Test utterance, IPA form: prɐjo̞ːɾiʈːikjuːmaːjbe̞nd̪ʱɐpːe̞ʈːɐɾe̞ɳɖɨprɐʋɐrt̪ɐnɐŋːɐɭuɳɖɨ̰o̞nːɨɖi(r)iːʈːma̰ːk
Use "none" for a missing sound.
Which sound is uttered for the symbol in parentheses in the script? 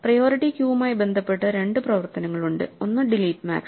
l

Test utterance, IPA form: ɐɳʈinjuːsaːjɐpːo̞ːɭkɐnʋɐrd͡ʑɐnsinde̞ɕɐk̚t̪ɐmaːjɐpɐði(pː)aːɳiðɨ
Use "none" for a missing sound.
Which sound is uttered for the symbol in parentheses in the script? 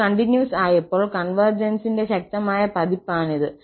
pː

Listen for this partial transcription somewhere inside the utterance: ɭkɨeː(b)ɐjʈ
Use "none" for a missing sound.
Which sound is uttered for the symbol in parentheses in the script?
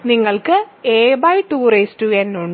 b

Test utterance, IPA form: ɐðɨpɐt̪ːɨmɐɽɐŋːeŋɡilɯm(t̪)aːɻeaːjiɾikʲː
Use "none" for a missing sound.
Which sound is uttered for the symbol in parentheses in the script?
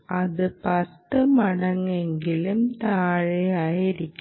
t̪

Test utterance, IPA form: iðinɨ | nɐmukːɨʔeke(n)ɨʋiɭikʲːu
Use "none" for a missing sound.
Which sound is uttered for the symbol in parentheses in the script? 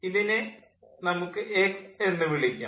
nː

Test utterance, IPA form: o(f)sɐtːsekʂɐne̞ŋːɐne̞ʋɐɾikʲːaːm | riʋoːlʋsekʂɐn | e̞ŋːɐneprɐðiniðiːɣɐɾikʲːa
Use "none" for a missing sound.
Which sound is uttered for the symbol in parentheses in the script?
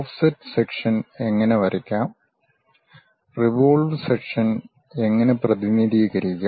f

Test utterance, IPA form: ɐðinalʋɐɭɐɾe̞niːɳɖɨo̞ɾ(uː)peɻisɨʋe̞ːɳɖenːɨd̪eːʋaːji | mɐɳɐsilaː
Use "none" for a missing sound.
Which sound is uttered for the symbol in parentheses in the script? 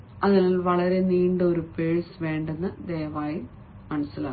u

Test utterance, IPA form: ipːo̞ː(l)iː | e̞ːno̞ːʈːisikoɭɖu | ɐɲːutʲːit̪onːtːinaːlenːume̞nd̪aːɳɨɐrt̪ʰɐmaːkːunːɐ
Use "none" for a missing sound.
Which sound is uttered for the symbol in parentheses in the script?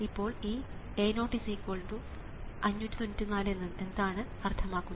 ɭ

